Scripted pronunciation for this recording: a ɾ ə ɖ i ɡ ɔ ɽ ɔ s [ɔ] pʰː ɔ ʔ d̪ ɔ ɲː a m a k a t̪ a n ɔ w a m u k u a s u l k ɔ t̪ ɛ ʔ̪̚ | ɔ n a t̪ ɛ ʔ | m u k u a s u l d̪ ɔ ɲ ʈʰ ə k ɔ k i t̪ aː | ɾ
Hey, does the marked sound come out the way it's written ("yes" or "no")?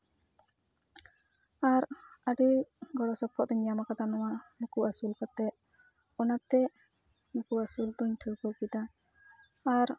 yes